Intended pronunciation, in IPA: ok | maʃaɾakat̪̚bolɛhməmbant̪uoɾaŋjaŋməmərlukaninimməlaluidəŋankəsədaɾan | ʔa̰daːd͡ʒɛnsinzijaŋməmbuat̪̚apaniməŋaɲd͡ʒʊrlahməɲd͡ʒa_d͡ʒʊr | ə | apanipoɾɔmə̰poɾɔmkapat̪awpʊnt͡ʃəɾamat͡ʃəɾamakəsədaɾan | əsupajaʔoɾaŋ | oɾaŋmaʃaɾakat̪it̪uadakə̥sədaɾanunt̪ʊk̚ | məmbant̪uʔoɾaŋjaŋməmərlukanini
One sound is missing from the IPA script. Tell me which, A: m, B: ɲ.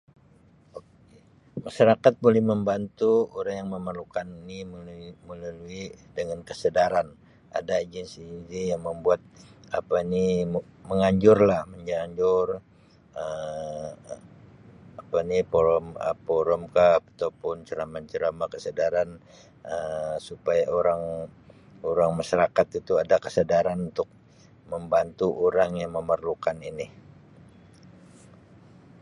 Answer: B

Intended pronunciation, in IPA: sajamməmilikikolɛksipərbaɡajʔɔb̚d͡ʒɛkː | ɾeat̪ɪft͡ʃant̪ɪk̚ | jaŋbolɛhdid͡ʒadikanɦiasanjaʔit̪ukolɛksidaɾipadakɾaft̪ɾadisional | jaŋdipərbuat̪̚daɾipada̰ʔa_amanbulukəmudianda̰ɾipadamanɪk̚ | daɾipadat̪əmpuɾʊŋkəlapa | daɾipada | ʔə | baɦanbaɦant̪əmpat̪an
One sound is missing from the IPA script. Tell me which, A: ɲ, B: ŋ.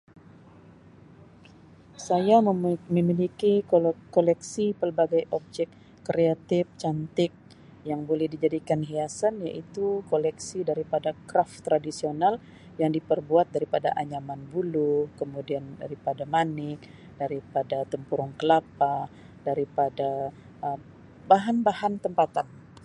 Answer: A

